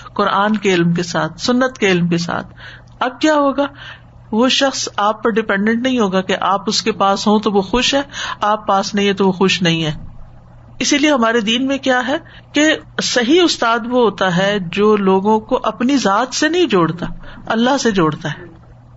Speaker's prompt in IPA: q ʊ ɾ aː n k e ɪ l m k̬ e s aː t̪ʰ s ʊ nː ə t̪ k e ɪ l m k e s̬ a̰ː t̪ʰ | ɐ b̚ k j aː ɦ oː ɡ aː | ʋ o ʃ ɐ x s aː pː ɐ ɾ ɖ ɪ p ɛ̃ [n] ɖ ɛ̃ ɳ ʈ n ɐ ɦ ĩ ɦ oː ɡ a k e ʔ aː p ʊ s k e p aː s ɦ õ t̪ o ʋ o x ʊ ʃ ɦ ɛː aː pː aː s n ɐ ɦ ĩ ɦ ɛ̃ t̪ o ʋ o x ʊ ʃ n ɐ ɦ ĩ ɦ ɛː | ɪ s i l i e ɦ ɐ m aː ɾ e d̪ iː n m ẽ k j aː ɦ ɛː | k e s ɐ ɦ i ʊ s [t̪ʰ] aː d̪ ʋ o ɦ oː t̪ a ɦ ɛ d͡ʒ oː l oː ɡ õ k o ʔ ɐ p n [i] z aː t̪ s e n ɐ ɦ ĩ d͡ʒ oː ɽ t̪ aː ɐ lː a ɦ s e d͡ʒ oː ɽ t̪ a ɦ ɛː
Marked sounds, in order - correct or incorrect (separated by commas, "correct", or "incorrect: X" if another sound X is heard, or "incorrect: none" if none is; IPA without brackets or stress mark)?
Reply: incorrect: ɳ, incorrect: t̪, correct